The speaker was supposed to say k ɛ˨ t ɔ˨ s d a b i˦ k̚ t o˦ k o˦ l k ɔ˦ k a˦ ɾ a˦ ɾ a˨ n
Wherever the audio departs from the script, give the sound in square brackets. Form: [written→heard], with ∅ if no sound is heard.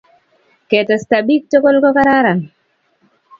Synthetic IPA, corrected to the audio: k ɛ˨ t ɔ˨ s [d→t] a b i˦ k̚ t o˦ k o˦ l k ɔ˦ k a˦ ɾ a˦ ɾ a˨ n